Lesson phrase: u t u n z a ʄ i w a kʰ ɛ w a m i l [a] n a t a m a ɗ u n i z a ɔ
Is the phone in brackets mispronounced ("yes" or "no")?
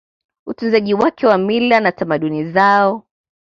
no